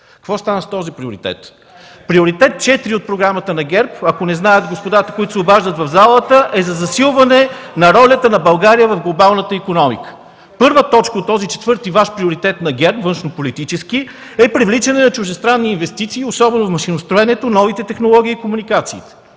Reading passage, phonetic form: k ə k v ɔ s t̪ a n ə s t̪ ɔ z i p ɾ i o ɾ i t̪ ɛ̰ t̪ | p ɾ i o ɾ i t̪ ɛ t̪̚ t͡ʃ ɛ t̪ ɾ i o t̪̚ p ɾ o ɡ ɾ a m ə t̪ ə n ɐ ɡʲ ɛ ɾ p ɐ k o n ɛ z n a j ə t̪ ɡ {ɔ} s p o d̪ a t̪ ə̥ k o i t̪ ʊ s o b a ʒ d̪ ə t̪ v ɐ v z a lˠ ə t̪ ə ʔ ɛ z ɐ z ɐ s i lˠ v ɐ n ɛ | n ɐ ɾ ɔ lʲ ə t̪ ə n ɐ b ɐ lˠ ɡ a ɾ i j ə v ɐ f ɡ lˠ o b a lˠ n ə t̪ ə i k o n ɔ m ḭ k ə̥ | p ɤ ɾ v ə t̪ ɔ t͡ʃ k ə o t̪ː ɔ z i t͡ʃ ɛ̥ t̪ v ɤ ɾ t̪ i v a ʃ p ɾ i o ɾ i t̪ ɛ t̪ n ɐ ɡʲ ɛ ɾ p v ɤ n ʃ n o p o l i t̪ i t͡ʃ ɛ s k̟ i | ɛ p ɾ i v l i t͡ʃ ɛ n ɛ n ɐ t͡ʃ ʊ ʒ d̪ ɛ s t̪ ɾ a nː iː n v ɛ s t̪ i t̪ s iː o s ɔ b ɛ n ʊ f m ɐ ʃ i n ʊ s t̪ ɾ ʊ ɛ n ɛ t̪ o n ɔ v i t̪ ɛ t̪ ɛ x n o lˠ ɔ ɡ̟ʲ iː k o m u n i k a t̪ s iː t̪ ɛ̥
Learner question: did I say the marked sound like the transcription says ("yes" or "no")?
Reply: no